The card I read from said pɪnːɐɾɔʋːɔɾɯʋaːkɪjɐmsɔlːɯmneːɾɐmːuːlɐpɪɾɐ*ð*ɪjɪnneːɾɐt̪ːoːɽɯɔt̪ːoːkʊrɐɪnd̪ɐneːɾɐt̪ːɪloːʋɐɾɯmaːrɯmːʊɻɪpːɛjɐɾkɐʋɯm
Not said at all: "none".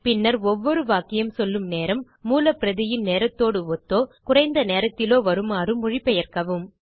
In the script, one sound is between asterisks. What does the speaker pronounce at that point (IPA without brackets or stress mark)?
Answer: ð